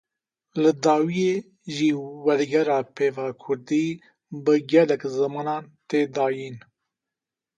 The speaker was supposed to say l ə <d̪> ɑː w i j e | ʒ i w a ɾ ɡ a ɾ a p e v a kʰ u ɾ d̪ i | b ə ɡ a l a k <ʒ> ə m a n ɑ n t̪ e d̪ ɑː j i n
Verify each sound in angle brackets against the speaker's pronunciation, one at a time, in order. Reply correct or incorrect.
correct, incorrect: z

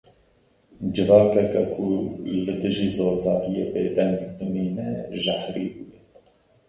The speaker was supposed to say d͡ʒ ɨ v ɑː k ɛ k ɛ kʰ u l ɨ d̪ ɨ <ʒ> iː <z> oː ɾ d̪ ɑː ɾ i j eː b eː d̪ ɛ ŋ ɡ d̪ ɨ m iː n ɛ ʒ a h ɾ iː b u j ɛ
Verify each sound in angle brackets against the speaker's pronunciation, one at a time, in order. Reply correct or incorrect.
correct, correct

